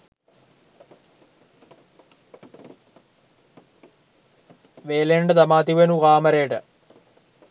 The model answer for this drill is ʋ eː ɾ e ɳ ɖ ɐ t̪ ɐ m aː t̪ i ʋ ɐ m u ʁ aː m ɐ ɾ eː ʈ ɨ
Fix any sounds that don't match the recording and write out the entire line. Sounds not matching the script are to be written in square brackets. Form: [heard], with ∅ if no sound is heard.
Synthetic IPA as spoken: ʋ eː [l] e ɳ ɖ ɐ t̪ ɐ m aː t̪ i ʋ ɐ [n] u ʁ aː m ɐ ɾ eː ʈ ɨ